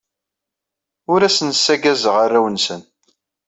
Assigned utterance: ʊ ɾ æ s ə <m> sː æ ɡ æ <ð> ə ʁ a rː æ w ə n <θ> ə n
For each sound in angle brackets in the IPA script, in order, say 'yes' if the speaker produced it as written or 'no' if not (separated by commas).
no, no, no